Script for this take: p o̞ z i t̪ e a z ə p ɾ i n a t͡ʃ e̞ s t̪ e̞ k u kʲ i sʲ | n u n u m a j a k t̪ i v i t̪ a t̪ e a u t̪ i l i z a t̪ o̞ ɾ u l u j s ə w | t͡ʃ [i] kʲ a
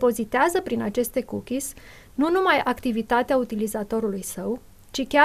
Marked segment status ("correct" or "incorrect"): correct